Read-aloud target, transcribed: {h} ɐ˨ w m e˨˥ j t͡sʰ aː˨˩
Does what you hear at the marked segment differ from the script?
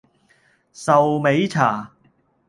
yes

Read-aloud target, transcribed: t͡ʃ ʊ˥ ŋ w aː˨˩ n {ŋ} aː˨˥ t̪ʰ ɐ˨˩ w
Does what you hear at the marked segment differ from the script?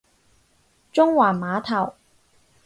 yes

